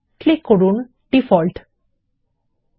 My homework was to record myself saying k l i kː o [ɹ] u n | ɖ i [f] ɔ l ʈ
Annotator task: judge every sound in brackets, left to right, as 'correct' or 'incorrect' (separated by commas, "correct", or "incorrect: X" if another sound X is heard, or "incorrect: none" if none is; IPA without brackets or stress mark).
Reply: correct, correct